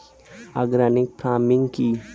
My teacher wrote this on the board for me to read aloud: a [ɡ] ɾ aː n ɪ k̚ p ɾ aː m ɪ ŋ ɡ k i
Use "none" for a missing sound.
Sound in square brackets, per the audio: ɡ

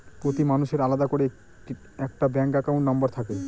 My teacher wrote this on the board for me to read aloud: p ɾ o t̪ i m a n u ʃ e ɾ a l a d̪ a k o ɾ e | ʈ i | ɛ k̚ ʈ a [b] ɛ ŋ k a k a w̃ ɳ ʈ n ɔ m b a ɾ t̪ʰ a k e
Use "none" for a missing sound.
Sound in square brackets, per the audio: b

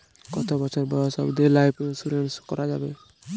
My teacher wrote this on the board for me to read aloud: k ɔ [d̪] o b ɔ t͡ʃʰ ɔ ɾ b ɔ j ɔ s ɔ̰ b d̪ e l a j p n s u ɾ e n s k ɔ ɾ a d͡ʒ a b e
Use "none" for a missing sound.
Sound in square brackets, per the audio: t̪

